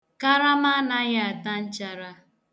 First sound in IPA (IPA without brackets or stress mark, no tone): k